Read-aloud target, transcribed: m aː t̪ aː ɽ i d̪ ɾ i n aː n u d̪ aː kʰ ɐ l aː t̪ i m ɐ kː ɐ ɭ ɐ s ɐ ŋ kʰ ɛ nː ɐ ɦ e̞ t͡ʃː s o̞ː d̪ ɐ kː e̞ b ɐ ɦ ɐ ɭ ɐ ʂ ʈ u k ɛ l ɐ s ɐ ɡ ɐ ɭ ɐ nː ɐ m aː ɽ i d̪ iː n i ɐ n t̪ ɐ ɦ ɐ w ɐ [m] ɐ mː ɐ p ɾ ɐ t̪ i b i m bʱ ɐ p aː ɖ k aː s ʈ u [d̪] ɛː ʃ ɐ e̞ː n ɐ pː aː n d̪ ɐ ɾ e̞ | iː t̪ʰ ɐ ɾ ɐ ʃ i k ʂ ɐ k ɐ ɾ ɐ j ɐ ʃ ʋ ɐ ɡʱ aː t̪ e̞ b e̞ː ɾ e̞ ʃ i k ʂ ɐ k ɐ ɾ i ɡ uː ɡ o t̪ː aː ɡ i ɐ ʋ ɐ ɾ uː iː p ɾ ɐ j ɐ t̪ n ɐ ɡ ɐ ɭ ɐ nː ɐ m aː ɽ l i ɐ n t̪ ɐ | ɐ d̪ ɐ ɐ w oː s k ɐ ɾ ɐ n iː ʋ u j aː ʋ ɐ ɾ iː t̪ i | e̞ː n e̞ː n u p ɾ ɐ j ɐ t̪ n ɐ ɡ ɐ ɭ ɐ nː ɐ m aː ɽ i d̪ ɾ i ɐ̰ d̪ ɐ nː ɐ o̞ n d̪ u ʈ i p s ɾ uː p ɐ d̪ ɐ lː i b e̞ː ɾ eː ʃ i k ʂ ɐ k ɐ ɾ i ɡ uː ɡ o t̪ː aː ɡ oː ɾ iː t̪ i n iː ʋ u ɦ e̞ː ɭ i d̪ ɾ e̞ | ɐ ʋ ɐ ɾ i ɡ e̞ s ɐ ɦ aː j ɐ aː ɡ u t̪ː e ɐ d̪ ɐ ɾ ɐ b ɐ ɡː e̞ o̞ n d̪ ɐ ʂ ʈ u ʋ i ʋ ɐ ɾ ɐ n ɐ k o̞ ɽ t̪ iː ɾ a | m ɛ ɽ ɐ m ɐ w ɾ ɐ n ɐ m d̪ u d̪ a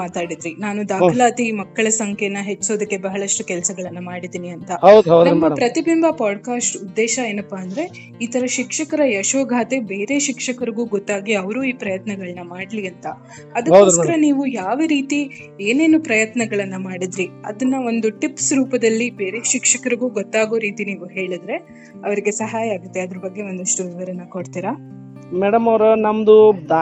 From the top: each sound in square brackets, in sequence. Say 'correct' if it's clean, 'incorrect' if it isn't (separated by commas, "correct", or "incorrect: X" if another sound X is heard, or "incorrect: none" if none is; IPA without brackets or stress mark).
incorrect: n, incorrect: d̪ː